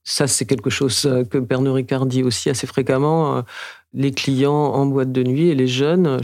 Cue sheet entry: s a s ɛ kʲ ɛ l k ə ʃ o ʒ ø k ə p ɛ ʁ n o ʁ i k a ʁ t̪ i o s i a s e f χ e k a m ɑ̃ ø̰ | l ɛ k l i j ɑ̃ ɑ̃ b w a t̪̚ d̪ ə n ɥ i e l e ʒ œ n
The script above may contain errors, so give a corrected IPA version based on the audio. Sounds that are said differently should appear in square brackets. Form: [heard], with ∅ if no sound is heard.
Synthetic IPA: s a s ɛ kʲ ɛ l k ə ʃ o [z] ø k ə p ɛ ʁ n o ʁ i k a ʁ [d̪] i o s i a s e f χ e k a m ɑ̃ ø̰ | l [e] k l i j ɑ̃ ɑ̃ b w a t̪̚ d̪ ə n ɥ i e l e ʒ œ n